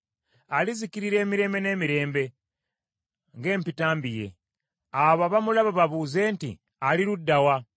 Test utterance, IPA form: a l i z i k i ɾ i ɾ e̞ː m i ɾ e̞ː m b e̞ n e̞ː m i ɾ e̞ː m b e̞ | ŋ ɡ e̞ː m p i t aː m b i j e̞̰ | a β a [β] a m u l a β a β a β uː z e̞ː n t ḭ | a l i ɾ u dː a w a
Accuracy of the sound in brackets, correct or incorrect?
correct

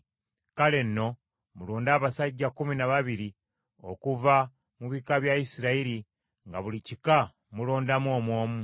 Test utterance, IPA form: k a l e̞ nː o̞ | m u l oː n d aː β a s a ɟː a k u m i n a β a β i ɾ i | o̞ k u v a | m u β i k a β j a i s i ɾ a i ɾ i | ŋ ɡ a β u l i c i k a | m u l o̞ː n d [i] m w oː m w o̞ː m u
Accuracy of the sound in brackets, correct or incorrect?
incorrect: a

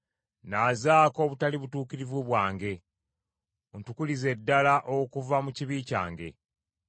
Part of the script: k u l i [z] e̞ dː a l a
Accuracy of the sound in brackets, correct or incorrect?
correct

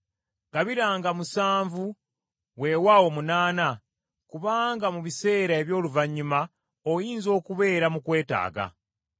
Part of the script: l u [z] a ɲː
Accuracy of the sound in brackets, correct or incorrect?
incorrect: v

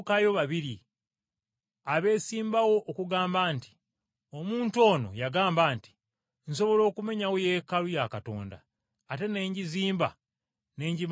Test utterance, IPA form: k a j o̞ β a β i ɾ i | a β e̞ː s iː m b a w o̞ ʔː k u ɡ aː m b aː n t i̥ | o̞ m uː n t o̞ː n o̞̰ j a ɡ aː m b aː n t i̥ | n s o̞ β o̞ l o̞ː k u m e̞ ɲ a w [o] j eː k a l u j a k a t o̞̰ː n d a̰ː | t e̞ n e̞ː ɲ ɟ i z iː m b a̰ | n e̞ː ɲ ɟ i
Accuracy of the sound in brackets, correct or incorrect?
correct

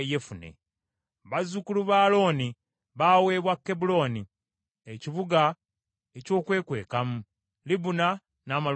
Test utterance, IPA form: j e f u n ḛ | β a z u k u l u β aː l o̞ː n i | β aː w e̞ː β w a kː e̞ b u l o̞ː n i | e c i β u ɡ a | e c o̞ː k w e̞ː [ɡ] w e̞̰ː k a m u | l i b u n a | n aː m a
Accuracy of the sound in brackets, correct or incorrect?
incorrect: k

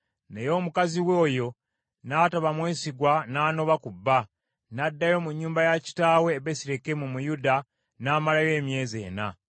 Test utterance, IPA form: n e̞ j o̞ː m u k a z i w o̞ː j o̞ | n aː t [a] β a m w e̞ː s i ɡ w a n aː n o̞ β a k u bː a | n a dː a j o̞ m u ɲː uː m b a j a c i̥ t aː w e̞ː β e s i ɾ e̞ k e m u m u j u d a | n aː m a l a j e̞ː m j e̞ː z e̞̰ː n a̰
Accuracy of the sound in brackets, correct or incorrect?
correct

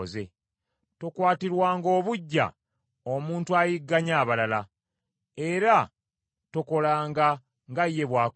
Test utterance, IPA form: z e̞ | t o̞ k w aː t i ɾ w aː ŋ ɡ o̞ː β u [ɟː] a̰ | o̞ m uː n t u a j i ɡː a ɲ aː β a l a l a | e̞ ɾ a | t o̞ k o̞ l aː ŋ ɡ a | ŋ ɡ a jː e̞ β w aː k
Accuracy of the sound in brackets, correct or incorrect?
correct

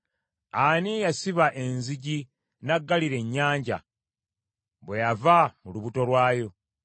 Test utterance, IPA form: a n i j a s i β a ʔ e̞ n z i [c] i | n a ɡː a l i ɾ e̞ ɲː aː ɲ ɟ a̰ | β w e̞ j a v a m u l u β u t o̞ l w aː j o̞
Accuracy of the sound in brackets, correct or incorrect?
incorrect: ɟ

